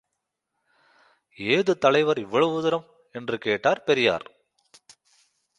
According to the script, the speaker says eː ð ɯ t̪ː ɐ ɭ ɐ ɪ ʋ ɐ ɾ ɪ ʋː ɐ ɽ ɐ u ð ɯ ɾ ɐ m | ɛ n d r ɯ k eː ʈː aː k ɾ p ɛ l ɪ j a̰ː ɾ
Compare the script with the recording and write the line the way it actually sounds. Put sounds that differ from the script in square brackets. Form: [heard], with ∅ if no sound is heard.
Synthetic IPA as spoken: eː ð ɯ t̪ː ɐ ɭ ɐ ɪ ʋ ɐ ɾ ɪ ʋː ɐ [ɭ] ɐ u ð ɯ ɾ ɐ m | ɛ n d r ɯ k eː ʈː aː [∅] ɾ p ɛ [ɾ] ɪ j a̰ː ɾ